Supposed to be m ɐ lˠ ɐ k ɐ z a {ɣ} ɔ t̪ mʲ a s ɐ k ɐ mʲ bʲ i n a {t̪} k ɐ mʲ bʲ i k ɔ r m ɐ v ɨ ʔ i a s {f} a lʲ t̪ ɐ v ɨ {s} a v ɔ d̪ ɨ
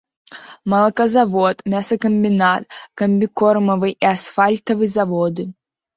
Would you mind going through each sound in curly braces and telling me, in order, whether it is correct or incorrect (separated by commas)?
incorrect, correct, correct, incorrect